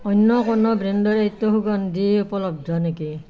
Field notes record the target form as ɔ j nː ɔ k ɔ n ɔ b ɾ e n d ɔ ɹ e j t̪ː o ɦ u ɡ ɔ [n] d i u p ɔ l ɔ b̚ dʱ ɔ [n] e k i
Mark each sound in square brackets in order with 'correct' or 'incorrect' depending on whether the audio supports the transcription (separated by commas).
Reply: correct, correct